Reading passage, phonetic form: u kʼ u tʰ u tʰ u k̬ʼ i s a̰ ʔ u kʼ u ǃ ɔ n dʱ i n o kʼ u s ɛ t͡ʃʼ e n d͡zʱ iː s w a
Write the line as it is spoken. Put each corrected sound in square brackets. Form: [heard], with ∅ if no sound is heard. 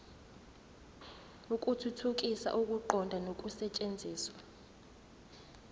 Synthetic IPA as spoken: u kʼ u tʰ u tʰ u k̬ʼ i s a̰ ʔ u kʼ u ǃ ɔ n dʱ [a] n o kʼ u s ɛ t͡ʃʼ e n d͡zʱ iː s w a

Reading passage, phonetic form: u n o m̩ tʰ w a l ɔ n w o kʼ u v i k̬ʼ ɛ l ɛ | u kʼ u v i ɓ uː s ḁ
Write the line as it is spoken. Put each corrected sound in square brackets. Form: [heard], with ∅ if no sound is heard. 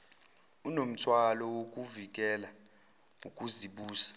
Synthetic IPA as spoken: u n o m̩ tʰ w a l ɔ [∅] w o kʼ u v i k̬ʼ ɛ l [a] | u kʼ u [z] i ɓ uː s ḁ

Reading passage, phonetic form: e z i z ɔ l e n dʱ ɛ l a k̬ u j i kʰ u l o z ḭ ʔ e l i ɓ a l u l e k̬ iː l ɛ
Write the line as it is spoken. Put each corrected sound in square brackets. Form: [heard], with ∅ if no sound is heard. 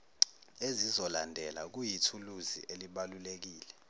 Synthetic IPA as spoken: e z i z ɔ l [a] n dʱ ɛ l a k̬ u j i [tʰ] u l [u] z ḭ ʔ e l i ɓ a l u l e k̬ iː l ɛ

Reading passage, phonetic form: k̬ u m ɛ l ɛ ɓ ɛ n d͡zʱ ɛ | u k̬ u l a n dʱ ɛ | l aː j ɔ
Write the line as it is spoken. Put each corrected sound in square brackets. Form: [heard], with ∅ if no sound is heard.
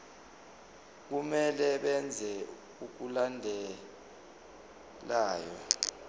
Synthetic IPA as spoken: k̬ u m ɛ l ɛ ɓ ɛ n d͡zʱ ɛ | u k̬ u l a n dʱ ɛ | l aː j ɔ

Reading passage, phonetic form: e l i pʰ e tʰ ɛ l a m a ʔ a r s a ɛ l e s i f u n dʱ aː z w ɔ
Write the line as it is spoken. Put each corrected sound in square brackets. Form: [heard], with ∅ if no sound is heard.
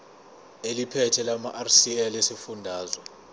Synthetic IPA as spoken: e l i pʰ [ɛ] tʰ ɛ l a m a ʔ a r s [i] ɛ l e s i f u n dʱ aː z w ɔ

